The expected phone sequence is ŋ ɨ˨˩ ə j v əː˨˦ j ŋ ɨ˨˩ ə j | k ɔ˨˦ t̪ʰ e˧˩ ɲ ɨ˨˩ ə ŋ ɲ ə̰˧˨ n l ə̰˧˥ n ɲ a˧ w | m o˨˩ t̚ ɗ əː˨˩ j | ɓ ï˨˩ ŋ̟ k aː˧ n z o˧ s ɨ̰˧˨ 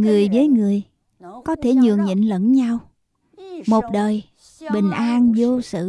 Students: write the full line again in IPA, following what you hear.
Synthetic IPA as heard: ŋ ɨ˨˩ ə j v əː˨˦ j ŋ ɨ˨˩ ə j | k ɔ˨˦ t̪ʰ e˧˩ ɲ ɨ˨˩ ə ŋ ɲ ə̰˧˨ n l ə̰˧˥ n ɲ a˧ w | m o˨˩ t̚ ɗ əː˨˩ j | ɓ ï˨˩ ŋ̟ ʔ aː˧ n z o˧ s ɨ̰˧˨